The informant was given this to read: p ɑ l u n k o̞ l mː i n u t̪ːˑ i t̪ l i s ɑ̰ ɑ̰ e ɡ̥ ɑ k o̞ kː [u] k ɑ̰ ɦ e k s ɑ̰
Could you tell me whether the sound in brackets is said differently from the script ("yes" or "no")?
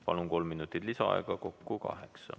no